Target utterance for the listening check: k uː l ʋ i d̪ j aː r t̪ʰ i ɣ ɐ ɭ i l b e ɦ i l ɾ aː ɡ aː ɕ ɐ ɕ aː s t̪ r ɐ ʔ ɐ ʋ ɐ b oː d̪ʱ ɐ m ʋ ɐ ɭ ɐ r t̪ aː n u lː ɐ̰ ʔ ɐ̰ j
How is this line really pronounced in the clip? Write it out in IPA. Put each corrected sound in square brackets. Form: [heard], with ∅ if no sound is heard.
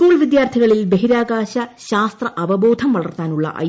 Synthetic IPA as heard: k uː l ʋ i d̪ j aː r t̪ʰ i ɣ ɐ ɭ i l b e ɦ i [∅] ɾ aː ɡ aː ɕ ɐ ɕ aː s t̪ r ɐ ʔ ɐ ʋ ɐ b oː d̪ʱ ɐ m ʋ ɐ ɭ ɐ r t̪ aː n u [ɭː] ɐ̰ ʔ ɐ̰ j

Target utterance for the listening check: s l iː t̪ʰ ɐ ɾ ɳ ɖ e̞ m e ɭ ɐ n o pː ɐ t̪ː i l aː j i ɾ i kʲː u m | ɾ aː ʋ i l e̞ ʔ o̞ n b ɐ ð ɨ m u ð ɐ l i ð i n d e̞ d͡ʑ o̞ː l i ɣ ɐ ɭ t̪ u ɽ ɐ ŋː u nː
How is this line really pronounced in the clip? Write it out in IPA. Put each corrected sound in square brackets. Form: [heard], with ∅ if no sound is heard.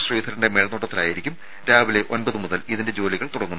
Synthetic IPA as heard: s [r] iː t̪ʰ ɐ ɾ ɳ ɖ e̞ m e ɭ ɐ n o [ʈː] ɐ t̪ː i l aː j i ɾ i kʲː u m | ɾ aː ʋ i l e̞ ʔ o̞ n b ɐ ð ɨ m u ð ɐ l i ð i n d e̞ d͡ʑ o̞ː l i ɣ ɐ ɭ t̪ u ɽ ɐ ŋː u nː

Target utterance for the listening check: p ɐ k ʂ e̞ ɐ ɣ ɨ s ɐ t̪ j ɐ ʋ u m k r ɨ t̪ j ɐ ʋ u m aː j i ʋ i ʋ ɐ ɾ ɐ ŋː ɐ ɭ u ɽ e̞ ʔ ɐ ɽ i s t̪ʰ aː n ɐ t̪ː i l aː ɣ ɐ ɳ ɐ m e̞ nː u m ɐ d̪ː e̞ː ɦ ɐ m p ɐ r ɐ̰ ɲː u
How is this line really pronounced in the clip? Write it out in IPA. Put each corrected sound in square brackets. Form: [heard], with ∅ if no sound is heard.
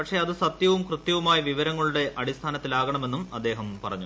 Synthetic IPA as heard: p ɐ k ʂ e̞ ɐ [ð] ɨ s ɐ t̪ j ɐ ʋ u m k r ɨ t̪ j ɐ ʋ u m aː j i ʋ i ʋ ɐ ɾ ɐ ŋː ɐ ɭ u ɽ e̞ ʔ ɐ ɽ i s t̪ʰ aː n ɐ t̪ː i l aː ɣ ɐ ɳ ɐ m e̞ nː u m ɐ d̪ː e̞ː ɦ ɐ m p ɐ r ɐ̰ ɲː u

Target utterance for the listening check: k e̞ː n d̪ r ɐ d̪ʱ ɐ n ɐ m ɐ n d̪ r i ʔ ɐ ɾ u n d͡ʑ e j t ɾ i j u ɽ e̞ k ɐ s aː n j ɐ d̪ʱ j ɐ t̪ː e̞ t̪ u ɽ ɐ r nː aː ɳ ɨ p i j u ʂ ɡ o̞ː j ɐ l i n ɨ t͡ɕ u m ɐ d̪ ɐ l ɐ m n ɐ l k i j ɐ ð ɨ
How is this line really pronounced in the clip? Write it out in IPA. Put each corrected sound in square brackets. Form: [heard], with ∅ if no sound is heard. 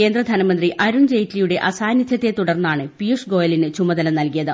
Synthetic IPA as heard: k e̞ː n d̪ r ɐ d̪ʱ ɐ n ɐ m ɐ n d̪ r i ʔ ɐ ɾ u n d͡ʑ e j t [l] i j u ɽ e̞ [ʔ] ɐ s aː n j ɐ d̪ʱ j ɐ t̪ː e̞ t̪ u ɽ ɐ r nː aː ɳ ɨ p i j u ʂ ɡ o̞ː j ɐ l i n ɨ t͡ɕ u m ɐ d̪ ɐ l ɐ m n ɐ l k i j ɐ ð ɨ

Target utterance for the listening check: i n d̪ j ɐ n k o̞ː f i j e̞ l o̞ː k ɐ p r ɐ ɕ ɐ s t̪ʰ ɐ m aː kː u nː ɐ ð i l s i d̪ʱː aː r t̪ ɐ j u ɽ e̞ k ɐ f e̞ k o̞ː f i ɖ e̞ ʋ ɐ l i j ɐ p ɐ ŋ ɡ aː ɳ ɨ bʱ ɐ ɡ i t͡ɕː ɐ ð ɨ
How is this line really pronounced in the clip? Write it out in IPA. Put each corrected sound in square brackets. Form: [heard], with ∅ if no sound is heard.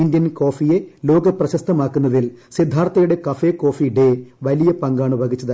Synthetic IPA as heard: i n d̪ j ɐ n k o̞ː f i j e̞ l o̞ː [ɡ] ɐ p r ɐ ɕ ɐ s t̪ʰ ɐ m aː kː u nː ɐ ð i l s i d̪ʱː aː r t̪ ɐ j u ɽ e̞ k ɐ f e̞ k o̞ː f i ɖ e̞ ʋ ɐ l i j ɐ p ɐ ŋ ɡ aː ɳ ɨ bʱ ɐ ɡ i t͡ɕː ɐ ð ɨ

